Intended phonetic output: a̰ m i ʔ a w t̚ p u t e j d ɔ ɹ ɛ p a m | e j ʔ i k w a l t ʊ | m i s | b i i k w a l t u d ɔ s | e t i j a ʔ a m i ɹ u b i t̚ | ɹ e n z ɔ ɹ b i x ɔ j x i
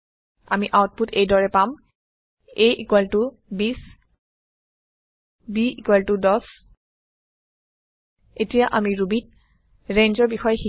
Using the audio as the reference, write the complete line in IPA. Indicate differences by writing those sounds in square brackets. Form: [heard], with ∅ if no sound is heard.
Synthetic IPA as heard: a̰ m i ʔ a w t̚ p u t e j d ɔ ɹ ɛ p a m | e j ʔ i k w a l t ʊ | [b] i s | b i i k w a l t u d ɔ s | e t i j a ʔ a m i ɹ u b i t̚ | ɹ e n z ɔ ɹ b i x ɔ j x i